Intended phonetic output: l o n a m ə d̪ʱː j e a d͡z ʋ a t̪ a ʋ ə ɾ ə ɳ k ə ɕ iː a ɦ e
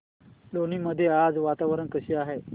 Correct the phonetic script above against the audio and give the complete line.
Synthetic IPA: l o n i m ə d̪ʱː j e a d͡z ʋ a t̪ a ʋ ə ɾ ə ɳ k ə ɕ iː a ɦ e